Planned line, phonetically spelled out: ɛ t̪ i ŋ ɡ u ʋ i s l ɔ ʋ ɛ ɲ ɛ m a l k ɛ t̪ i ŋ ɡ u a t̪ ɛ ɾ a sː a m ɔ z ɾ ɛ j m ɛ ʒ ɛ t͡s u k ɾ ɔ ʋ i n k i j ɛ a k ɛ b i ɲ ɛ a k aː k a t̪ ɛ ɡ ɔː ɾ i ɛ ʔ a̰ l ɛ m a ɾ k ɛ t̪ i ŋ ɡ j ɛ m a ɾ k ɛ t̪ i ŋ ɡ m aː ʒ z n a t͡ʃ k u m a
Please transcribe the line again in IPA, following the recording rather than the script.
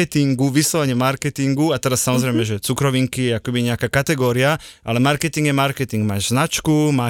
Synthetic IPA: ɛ t̪ i ŋ ɡ u ʋ i s l ɔ ʋ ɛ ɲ ɛ m a ɾ k ɛ t̪ i ŋ ɡ u a t̪ ɛ ɾ a sː a m ɔ z ɾ ɛ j m ɛ ʒ ɛ t͡s u k ɾ ɔ ʋ i ŋ k i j ɛ a k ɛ b i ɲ ɛ a k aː k a t̪ ɛ ɡ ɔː ɾ i a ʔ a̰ l ɛ m a ɾ k ɛ t̪ i ŋ ɡ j ɛ m a ɾ k ɛ t̪ i ŋ ɡ m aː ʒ z n a t͡ʃ k u m a